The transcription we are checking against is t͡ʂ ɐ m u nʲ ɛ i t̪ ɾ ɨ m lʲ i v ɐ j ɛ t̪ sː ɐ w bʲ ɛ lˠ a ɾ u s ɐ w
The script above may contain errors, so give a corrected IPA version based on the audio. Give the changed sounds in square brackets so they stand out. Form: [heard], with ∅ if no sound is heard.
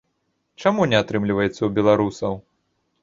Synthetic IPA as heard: t͡ʂ [a] m u nʲ ɛ [a] t̪ ɾ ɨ m lʲ i v ɐ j ɛ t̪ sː ɐ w bʲ ɛ lˠ a ɾ u s ɐ w